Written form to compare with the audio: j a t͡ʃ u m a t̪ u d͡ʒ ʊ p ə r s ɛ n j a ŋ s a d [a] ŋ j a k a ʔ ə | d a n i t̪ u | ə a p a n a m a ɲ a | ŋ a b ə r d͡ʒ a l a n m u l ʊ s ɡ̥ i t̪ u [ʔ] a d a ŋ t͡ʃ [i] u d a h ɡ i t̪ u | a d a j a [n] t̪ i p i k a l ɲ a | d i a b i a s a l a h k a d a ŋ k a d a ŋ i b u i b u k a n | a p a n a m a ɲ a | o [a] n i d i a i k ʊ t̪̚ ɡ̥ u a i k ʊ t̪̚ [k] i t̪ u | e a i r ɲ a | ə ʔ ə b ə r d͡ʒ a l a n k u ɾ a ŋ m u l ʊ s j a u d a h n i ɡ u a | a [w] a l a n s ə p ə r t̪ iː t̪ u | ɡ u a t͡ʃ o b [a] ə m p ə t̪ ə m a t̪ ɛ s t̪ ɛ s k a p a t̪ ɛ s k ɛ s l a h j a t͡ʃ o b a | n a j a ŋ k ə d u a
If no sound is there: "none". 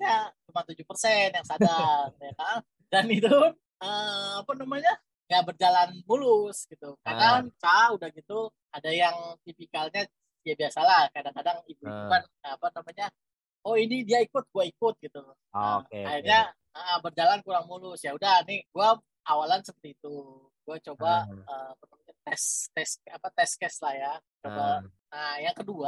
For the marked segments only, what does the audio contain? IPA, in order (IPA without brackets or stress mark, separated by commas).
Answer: a, k, a, ŋ, i, ɡ, w, a